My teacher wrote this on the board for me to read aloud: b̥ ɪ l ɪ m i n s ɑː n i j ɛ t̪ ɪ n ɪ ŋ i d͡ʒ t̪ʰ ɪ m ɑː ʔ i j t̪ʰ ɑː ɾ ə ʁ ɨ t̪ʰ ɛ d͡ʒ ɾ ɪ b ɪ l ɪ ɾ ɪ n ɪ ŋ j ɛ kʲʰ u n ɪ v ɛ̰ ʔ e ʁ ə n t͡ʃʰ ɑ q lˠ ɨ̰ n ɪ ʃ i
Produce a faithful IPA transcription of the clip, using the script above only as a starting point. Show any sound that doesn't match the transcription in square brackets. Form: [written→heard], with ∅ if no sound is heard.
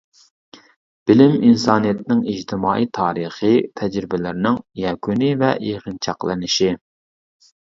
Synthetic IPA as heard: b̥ ɪ l ɪ m i n s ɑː n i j ɛ t̪ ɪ n ɪ ŋ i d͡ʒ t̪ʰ ɪ m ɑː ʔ i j t̪ʰ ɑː ɾ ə [ʁ→χ] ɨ t̪ʰ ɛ d͡ʒ ɾ ɪ b ɪ l ɪ ɾ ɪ n ɪ ŋ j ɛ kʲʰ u n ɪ v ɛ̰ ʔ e ʁ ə n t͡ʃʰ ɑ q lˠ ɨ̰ n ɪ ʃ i

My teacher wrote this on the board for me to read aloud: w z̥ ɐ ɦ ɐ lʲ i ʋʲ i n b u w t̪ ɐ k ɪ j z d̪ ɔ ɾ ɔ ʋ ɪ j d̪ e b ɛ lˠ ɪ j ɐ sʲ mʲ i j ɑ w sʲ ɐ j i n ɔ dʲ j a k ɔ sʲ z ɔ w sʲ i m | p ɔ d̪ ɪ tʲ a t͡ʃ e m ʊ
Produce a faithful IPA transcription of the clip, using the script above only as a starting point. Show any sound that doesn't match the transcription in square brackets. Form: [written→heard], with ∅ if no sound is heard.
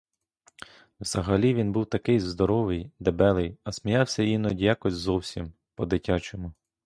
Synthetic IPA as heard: w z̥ ɐ ɦ ɐ lʲ i ʋʲ i n b u w t̪ ɐ k ɪ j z d̪ ɔ ɾ ɔ ʋ ɪ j d̪ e b ɛ lˠ ɪ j ɐ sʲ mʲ i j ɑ w sʲ ɐ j i n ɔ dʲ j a k ɔ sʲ z ɔ w sʲ i m | p ɔ d̪ ɪ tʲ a t͡ʃ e m ʊ

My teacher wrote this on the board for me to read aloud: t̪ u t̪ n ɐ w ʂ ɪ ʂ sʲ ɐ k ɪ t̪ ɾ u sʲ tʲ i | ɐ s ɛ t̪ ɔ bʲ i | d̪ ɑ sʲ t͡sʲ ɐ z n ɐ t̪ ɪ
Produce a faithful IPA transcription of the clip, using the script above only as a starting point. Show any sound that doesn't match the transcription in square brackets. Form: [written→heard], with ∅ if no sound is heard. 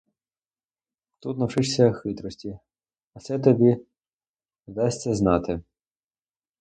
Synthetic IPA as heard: t̪ u t̪ n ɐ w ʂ ɪ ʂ sʲ ɐ [k→x] ɪ t̪ ɾ [u→ɔ] sʲ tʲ i | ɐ s ɛ t̪ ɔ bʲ i | d̪ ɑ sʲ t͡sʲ ɐ z n [ɐ→ɑ] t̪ ɪ

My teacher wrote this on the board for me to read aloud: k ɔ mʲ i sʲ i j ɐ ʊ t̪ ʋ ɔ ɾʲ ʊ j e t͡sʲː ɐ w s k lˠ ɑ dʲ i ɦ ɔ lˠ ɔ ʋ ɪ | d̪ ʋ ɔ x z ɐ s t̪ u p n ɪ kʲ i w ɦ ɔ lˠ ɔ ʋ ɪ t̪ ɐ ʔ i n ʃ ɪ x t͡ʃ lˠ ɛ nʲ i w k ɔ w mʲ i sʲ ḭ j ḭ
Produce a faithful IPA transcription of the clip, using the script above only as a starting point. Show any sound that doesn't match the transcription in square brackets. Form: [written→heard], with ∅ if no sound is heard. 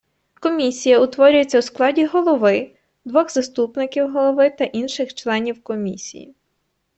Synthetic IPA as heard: k ɔ mʲ i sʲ i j ɐ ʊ t̪ ʋ ɔ ɾʲ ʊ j e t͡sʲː ɐ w s k lˠ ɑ dʲ i ɦ ɔ lˠ ɔ ʋ ɪ | d̪ ʋ ɔ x z ɐ s t̪ u p n ɪ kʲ i w ɦ ɔ lˠ ɔ ʋ ɪ t̪ ɐ ʔ i n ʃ ɪ x t͡ʃ lˠ ɛ nʲ i w k ɔ [w→∅] mʲ i sʲ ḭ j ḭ

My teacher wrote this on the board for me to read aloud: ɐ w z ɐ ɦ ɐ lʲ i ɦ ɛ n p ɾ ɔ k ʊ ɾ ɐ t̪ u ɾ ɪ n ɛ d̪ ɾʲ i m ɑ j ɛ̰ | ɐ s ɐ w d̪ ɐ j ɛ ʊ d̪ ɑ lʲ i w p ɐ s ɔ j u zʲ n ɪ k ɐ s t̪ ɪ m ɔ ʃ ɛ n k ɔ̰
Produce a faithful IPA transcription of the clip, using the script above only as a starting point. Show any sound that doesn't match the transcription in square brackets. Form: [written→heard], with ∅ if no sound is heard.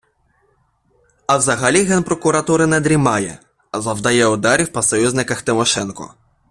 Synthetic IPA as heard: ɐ w z ɐ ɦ ɐ lʲ i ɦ ɛ n p ɾ ɔ k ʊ ɾ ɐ t̪ u ɾ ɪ n ɛ d̪ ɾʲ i m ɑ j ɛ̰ | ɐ [s→z] ɐ w d̪ ɐ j ɛ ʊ d̪ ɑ [lʲ→ɾʲ] i w p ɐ s ɔ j u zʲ n ɪ k ɐ [s→x] t̪ ɪ m ɔ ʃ ɛ n k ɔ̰

